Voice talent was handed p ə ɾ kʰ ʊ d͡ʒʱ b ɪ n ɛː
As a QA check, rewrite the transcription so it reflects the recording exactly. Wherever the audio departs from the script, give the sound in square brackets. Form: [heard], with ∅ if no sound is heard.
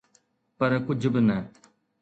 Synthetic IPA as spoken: p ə ɾ [k] ʊ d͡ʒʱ b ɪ n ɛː